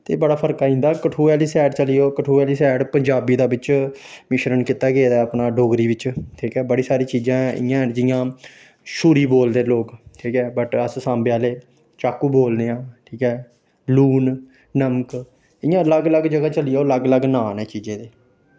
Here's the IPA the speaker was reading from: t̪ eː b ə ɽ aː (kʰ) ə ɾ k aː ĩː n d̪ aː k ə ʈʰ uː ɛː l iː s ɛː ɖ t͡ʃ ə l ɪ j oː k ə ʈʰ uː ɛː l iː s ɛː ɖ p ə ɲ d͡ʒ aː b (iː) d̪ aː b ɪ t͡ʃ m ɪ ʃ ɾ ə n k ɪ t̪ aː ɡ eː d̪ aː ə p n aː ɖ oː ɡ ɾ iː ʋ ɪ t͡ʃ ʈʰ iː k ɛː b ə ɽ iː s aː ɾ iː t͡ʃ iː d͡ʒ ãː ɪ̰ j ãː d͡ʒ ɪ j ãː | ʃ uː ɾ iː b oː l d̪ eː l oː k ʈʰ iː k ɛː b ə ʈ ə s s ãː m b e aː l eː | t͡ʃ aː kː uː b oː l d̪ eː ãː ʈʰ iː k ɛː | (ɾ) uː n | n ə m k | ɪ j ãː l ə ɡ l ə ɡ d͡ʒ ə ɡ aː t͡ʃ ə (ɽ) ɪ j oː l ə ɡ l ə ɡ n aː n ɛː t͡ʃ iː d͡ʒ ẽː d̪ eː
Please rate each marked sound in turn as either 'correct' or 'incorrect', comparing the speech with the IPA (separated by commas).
incorrect, correct, incorrect, incorrect